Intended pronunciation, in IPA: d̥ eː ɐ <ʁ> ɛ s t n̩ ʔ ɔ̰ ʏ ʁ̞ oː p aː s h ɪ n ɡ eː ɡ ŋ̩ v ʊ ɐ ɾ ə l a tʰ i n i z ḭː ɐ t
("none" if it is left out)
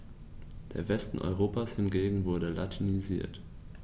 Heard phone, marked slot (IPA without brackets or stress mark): v